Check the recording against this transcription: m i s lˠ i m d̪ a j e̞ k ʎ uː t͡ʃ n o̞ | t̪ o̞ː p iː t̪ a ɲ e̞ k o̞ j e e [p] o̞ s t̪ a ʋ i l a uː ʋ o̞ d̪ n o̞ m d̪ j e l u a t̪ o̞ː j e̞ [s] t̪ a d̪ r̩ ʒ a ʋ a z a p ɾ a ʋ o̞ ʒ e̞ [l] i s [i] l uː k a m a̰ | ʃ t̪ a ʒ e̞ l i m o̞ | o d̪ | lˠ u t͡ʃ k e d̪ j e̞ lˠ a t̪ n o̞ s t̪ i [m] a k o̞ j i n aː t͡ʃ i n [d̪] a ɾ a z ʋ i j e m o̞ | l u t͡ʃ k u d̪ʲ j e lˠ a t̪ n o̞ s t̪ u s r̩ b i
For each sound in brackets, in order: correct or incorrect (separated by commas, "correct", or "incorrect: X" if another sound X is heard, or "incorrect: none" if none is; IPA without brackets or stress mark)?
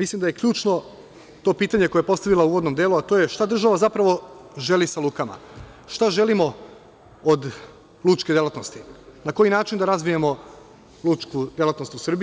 correct, incorrect: ʃ, correct, incorrect: a, incorrect: n, correct